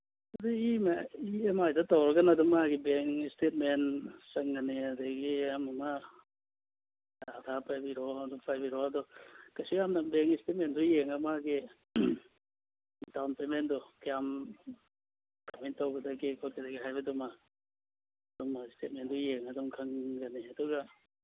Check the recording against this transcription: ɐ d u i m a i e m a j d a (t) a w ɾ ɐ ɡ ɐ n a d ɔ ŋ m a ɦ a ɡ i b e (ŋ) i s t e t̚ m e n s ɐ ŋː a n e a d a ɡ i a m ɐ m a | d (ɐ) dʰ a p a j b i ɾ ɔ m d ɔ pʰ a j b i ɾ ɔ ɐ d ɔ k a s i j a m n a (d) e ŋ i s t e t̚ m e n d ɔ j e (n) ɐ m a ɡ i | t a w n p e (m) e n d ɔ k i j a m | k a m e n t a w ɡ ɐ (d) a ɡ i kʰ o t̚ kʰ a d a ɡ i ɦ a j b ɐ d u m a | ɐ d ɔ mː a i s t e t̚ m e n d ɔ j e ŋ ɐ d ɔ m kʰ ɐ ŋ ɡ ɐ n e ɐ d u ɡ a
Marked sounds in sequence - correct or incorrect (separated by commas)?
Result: correct, correct, incorrect, incorrect, incorrect, correct, correct